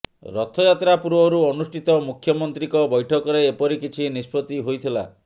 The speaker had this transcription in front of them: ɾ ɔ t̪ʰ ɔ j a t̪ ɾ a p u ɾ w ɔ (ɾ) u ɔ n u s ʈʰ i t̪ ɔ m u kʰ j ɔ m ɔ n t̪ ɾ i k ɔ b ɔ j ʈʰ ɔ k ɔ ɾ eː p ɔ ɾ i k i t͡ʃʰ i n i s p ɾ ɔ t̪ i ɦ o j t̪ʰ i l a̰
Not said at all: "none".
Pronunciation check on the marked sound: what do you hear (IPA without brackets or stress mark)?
ɾ